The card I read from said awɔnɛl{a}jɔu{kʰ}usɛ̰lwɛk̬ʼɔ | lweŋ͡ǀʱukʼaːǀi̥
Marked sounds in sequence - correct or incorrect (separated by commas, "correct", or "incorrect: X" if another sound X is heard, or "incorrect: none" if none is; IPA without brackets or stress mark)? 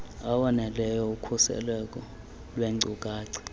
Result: incorrect: ɛ, correct